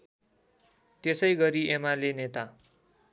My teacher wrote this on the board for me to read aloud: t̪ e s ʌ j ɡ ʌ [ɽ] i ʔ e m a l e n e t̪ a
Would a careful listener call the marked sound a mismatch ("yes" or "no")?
yes